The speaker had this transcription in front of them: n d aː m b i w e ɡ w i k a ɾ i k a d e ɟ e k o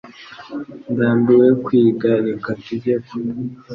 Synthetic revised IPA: n d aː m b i w e k w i ɡ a ɾ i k a t e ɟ e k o